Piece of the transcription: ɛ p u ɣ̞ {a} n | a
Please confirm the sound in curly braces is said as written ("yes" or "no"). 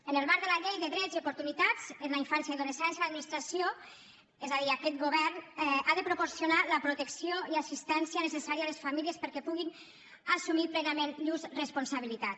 no